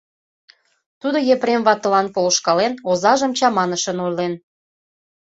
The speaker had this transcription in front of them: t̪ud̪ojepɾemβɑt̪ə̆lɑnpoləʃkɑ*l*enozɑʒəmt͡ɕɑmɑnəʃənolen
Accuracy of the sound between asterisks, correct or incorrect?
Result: correct